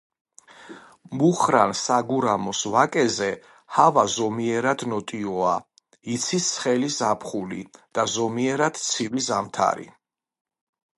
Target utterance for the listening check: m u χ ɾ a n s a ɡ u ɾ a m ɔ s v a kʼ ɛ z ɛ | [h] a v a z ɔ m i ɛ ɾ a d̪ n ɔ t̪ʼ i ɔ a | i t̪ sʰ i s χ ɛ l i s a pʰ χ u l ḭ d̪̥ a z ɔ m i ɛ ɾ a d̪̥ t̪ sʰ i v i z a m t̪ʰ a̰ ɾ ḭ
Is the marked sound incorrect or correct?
correct